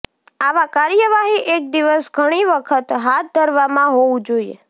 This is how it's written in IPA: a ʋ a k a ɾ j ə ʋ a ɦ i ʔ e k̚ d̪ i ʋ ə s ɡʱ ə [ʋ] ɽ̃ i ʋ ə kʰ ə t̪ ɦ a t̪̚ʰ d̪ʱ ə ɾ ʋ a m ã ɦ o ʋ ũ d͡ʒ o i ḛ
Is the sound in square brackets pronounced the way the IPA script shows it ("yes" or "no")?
no